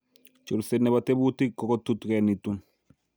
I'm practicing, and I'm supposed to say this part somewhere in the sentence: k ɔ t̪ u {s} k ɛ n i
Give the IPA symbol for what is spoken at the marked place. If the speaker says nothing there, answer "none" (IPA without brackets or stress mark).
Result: t